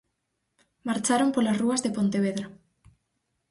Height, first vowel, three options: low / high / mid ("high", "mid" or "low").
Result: low